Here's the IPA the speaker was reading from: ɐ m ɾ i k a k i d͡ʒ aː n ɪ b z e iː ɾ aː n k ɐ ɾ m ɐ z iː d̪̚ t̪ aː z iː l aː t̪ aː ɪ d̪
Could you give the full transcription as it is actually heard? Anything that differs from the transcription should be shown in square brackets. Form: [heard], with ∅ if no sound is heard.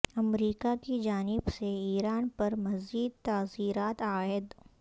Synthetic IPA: ɐ m ɾ [iː] k a k i d͡ʒ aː n ɪ b [s] e iː ɾ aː n [p] ɐ ɾ m ɐ z iː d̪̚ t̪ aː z iː [ɾ] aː t̪ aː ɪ d̪